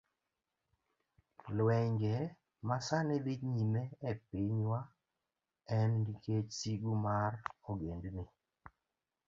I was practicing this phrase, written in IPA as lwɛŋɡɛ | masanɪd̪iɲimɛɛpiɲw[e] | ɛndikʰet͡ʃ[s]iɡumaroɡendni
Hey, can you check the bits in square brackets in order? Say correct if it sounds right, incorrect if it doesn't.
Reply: incorrect, correct

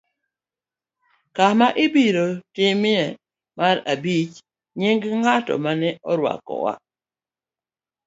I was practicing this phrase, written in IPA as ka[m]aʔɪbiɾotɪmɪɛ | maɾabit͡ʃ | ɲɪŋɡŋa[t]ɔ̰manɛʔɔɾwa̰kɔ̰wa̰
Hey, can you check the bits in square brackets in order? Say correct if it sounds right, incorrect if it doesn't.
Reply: correct, correct

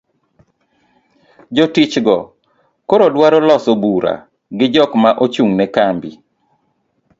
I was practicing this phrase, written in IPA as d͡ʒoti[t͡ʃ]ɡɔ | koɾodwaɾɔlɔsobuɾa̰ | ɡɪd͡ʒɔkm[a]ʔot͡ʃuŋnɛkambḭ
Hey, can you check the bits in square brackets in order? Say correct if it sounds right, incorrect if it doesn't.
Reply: correct, correct

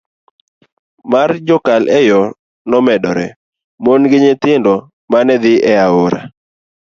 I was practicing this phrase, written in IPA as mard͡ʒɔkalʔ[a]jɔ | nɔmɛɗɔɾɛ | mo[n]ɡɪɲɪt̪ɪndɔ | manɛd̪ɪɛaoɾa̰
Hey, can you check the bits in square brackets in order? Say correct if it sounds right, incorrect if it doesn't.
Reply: incorrect, correct

